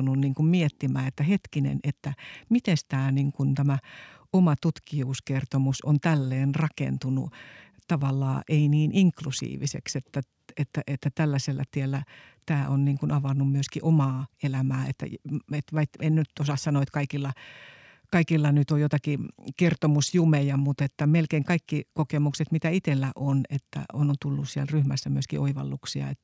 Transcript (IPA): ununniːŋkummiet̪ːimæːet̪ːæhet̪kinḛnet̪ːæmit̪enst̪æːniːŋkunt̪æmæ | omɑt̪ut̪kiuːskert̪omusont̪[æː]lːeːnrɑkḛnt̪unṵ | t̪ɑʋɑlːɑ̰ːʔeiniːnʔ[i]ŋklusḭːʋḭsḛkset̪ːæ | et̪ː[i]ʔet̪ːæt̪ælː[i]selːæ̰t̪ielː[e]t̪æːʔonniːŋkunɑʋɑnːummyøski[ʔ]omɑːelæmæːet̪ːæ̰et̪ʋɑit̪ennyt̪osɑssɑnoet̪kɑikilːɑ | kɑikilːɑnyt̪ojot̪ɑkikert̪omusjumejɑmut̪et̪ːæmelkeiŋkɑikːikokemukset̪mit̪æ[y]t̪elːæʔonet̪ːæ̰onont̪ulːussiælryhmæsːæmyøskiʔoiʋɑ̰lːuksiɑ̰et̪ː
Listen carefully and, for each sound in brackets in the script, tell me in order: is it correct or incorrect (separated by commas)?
incorrect, correct, incorrect, incorrect, incorrect, correct, incorrect